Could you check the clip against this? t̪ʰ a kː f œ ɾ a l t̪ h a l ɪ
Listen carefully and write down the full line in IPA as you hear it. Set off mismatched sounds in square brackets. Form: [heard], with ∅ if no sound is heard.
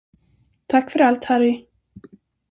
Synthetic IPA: t̪ʰ a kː f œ ɾ a l t̪ h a [ɾ] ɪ